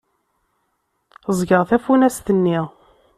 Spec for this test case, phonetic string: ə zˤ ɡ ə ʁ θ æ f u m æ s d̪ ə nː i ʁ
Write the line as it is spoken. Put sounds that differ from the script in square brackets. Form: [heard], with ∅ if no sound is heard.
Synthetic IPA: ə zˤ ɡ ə ʁ θ æ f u [n] æ s [t̪] ə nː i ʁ